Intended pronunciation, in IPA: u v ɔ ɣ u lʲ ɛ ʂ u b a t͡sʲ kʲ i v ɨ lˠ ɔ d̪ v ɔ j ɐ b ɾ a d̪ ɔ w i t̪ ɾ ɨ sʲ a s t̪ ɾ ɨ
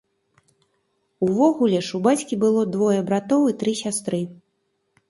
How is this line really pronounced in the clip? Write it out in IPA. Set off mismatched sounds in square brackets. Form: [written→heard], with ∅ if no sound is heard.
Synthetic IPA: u v ɔ ɣ u lʲ ɛ ʂ u b a t͡sʲ kʲ i [v→b] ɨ lˠ ɔ d̪ v ɔ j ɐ b ɾ a [d̪→t̪] ɔ w i t̪ ɾ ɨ sʲ a s t̪ ɾ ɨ